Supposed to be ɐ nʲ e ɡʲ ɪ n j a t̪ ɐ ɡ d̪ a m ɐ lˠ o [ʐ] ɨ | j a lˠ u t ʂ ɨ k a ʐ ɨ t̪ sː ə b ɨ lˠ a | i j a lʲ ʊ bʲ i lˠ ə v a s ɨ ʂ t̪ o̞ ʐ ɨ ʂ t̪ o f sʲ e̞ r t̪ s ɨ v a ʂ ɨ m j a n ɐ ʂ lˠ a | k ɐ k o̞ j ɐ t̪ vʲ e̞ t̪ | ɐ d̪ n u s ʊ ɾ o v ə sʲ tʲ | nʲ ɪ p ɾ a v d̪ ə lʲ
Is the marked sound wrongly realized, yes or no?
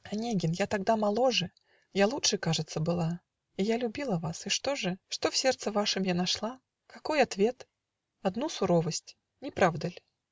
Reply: no